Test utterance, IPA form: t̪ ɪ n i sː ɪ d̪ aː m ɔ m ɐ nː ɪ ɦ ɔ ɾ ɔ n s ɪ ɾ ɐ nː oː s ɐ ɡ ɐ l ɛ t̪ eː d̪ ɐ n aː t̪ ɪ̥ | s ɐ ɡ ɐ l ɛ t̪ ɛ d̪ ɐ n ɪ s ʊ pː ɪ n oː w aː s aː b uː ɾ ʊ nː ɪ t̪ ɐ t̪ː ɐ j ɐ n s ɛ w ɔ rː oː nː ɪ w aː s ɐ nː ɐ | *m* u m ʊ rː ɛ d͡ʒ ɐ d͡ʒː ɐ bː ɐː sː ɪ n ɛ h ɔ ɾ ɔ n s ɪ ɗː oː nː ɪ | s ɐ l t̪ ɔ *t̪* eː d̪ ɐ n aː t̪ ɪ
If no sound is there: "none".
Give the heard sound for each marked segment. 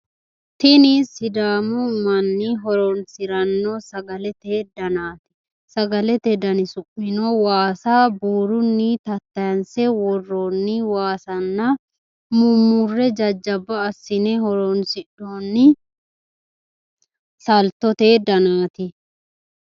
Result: m, t̪

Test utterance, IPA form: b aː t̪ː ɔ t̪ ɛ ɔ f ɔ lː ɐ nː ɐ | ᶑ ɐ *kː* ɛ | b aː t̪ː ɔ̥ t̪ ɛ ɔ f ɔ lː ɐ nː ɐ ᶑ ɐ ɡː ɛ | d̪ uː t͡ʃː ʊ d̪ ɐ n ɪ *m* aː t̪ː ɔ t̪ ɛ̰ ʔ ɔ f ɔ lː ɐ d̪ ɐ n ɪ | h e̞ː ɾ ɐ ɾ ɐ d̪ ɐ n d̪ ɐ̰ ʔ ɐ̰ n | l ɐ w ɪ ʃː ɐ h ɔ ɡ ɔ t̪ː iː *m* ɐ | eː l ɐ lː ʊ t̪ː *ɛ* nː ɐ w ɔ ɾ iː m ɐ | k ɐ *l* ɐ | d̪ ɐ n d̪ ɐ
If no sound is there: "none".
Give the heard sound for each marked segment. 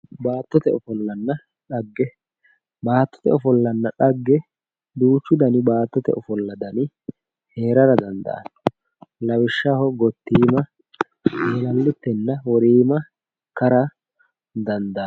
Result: ɡː, b, m, ɛ, ɾ

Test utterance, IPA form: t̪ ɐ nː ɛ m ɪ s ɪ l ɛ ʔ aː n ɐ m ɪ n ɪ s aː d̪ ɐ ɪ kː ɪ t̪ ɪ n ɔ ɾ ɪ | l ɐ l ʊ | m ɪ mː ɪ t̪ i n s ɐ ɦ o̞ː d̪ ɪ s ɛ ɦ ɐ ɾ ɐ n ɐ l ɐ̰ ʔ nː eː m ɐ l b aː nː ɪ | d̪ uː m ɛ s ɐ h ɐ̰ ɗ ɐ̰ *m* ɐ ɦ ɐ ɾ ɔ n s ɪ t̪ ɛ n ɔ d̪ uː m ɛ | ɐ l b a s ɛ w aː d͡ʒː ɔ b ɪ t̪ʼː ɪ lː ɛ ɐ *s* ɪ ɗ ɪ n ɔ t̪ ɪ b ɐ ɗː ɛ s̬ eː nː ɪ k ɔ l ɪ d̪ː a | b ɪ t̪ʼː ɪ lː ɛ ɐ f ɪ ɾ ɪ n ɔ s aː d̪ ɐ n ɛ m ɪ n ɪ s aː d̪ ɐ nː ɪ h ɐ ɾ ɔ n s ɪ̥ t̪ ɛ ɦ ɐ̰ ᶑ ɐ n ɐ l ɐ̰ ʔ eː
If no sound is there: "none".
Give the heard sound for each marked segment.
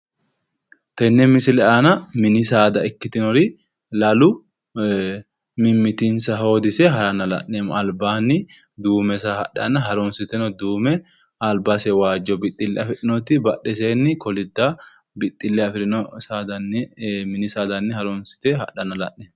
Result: n, f

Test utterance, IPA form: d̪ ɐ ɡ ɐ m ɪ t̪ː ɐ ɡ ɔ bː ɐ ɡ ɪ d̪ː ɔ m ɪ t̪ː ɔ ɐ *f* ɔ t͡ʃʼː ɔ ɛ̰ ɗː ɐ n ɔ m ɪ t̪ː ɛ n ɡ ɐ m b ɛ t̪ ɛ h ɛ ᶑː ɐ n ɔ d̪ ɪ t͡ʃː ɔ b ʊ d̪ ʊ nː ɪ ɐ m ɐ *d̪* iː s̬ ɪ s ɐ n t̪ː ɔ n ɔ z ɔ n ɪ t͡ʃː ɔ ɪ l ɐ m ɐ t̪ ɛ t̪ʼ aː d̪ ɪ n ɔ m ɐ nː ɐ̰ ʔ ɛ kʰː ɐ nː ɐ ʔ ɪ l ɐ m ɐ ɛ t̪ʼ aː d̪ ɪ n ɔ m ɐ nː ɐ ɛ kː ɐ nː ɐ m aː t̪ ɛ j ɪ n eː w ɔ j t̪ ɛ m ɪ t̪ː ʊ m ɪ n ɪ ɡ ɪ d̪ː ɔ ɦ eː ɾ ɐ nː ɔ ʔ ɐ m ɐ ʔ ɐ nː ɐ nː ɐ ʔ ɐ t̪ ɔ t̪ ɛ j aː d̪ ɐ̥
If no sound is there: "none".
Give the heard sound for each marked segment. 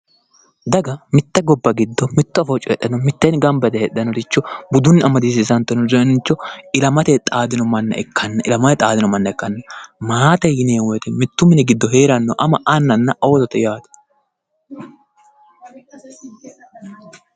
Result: f, d̪

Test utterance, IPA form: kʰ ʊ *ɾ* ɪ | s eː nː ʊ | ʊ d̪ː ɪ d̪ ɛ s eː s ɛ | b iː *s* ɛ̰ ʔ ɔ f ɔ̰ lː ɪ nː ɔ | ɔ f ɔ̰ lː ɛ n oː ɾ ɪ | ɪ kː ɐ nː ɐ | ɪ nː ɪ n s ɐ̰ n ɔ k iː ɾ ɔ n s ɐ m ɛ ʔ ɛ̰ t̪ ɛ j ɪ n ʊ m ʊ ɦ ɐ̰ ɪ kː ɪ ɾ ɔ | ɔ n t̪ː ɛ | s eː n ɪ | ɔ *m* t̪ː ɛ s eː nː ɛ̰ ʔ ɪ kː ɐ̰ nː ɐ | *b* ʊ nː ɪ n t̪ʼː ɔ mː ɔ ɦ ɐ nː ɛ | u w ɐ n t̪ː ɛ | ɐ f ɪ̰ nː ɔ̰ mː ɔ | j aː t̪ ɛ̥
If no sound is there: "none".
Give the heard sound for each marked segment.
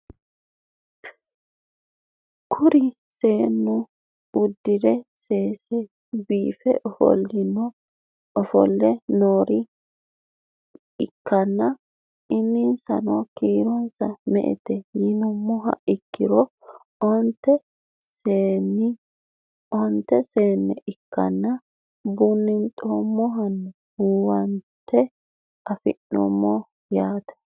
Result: ɾ, f, n, b

